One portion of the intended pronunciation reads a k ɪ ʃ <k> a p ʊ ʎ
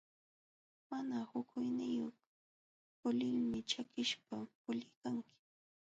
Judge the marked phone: incorrect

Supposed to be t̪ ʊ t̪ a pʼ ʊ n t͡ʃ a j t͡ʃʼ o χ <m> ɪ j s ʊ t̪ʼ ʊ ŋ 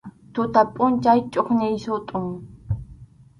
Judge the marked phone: incorrect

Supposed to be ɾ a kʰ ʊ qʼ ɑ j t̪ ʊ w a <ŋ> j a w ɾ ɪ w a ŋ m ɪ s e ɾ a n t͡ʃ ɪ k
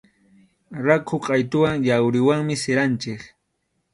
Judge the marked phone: correct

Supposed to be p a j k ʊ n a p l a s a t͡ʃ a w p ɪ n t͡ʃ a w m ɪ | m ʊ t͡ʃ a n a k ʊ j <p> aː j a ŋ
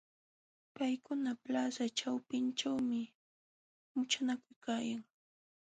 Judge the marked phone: incorrect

